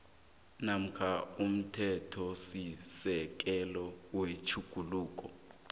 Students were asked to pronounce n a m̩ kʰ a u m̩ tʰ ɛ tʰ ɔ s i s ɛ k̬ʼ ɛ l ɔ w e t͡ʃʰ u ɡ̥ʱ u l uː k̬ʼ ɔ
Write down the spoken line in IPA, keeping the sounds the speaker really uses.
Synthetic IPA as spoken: n a m̩ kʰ a u m̩ tʰ ɛ tʰ ɔ s i s ɛ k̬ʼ ɛ l ɔ w e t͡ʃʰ u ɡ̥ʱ u l uː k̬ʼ ɔ